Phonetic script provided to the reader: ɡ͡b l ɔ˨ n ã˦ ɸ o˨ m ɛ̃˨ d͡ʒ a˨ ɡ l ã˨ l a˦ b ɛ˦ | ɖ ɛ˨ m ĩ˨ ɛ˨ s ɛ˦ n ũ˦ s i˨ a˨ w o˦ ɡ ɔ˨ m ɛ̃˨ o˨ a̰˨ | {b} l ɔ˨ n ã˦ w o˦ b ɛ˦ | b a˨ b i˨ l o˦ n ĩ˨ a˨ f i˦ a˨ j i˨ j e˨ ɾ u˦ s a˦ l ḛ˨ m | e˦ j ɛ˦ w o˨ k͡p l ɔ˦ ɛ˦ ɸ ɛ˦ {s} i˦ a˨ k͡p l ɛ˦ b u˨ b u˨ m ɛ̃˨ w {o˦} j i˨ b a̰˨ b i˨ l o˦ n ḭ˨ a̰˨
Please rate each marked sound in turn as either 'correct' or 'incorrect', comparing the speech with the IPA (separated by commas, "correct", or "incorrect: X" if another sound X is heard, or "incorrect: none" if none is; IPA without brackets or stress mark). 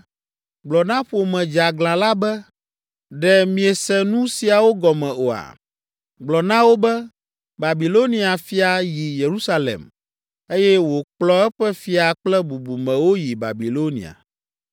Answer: incorrect: ɡ͡b, incorrect: f, correct